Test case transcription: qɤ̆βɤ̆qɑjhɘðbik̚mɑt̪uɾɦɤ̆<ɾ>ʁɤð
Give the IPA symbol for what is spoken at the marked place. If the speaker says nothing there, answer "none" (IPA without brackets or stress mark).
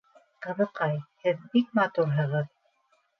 none